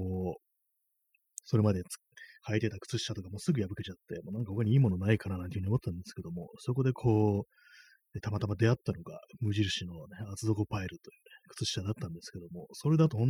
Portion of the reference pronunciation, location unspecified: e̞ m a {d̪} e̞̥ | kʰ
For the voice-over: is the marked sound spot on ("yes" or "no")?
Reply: yes